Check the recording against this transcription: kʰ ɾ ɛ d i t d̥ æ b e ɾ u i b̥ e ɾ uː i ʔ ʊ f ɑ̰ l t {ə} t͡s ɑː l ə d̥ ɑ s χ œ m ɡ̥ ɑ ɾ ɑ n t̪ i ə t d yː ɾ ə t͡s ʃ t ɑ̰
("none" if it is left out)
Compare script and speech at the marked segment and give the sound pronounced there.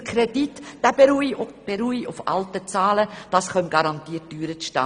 ə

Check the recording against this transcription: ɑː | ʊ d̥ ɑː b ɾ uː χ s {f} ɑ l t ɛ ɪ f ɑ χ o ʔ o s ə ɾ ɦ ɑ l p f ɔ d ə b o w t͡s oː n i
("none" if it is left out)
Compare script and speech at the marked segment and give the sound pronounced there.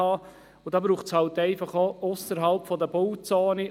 h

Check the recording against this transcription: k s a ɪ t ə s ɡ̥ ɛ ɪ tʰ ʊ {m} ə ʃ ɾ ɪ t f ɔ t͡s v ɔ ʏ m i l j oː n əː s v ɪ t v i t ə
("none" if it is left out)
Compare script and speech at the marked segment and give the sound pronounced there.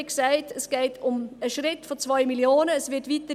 m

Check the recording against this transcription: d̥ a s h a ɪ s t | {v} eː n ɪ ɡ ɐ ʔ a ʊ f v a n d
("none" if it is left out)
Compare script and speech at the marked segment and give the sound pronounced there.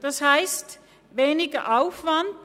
v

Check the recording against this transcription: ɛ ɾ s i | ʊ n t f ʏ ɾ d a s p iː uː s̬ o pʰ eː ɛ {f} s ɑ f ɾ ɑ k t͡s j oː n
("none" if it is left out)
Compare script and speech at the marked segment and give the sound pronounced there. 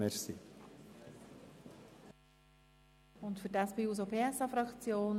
none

